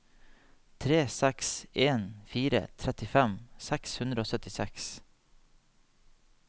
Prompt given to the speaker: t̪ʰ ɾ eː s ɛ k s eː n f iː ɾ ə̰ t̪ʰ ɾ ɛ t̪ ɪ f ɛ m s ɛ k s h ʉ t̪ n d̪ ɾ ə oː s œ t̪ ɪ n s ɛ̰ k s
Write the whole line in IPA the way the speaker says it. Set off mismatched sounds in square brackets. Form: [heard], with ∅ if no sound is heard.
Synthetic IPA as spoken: t̪ʰ ɾ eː s ɛ k s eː n f iː ɾ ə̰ t̪ʰ ɾ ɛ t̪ ɪ f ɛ m s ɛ k s h ʉ [∅] n d̪ ɾ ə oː s œ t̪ ɪ [∅] s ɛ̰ k s